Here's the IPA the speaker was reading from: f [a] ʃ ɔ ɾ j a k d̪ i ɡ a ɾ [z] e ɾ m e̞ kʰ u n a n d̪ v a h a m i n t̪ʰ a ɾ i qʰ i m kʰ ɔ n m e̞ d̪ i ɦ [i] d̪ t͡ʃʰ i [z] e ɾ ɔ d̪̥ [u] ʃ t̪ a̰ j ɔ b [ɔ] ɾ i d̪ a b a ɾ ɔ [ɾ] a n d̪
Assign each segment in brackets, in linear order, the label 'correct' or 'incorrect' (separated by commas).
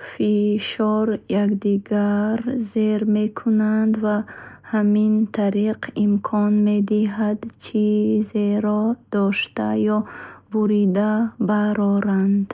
incorrect, correct, incorrect, correct, incorrect, incorrect, correct